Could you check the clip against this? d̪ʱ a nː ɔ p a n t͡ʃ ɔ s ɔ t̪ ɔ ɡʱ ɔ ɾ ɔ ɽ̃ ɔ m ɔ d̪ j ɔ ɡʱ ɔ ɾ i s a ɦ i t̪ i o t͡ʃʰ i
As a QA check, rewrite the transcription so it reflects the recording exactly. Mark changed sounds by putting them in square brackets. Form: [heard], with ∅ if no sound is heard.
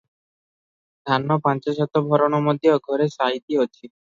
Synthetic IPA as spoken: d̪ʱ a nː ɔ p a n t͡ʃ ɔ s ɔ t̪ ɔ [bʱ] ɔ ɾ ɔ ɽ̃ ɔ m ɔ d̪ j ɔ ɡʱ ɔ ɾ [e] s a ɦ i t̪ i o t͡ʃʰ i